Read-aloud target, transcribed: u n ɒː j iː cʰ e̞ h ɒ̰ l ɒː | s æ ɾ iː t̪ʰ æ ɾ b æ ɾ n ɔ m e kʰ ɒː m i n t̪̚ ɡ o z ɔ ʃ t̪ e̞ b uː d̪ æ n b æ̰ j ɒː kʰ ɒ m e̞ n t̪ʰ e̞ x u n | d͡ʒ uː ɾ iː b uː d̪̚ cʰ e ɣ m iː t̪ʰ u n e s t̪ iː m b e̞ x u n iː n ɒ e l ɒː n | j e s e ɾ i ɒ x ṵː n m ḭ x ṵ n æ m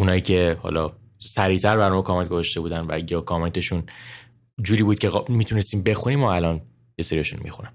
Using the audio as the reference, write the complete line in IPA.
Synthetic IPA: u n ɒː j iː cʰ e̞ h ɒ̰ l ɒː | s æ ɾ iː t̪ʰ æ ɾ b æ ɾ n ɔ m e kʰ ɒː m e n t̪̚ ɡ o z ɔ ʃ t̪ e̞ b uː d̪ æ n v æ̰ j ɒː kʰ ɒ m e̞ n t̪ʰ e̞ ʃ u n | d͡ʒ uː ɾ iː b uː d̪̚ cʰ e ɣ m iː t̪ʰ u n e s t̪ iː m b e̞ x u n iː m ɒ æ l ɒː n | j e s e ɾ i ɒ ʃ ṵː n m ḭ x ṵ n æ m